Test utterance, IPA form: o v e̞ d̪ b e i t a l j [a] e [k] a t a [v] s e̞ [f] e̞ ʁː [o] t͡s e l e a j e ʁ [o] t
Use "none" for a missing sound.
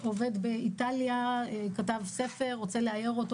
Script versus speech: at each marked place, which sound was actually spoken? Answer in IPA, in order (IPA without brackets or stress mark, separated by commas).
a, k, v, f, o, o